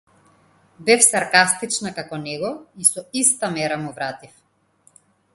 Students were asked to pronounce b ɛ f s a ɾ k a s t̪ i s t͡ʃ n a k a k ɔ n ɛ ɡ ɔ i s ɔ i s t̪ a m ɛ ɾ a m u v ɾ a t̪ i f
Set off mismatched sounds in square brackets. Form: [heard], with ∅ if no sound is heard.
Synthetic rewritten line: b ɛ f s a ɾ k a s t̪ i [∅] t͡ʃ n a k a k ɔ n ɛ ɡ ɔ i s ɔ i s t̪ a m ɛ ɾ a m u v ɾ a t̪ i f